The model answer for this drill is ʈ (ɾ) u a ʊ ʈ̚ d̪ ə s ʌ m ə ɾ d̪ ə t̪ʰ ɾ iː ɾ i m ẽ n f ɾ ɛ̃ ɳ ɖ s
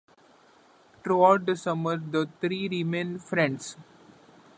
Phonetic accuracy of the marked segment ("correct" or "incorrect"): correct